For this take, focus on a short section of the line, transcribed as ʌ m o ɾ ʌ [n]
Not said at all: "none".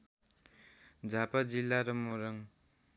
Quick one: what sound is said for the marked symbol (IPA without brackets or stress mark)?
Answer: ŋ